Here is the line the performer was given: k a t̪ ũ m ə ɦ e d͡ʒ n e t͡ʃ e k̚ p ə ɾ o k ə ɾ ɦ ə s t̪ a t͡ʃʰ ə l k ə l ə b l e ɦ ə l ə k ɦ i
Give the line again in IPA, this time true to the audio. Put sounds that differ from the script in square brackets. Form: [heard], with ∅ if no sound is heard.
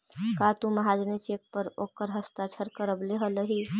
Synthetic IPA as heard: k a t̪ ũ m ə ɦ [a] d͡ʒ n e t͡ʃ e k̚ p ə ɾ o k ə ɾ ɦ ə s t̪ a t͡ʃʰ ə [ɾ] k ə [ɾ] ə b l e ɦ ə l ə [∅] ɦ i